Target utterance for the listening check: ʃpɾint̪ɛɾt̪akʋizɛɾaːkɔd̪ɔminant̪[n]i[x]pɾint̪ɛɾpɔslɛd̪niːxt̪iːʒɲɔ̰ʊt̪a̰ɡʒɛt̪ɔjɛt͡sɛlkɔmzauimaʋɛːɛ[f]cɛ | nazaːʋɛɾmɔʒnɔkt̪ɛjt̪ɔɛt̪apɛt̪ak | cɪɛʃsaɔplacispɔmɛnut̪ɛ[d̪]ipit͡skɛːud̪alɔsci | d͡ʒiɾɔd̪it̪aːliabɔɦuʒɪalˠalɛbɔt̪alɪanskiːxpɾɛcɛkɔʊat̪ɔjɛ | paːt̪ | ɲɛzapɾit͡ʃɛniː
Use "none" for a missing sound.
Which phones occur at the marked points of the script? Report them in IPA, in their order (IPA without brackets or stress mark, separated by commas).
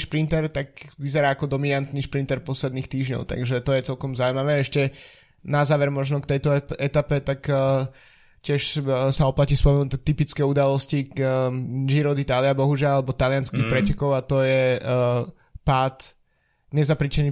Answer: n, ʃ, ʃ, t̪